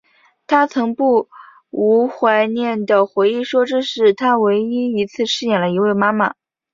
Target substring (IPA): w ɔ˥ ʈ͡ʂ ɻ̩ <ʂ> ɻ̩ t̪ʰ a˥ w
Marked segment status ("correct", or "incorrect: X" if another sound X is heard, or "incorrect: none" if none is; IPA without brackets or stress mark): correct